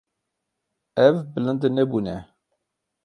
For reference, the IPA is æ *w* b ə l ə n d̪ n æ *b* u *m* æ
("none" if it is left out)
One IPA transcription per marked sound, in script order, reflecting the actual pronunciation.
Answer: v, b, n

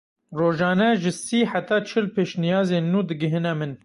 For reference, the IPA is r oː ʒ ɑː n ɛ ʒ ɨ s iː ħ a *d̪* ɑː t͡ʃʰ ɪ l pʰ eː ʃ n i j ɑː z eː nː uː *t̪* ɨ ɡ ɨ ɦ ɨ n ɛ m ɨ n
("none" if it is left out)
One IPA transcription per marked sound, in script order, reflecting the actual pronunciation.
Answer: t̪, d̪

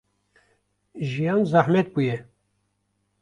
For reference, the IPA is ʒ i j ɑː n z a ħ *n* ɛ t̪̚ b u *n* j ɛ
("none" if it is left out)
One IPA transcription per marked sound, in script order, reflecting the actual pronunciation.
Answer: m, none

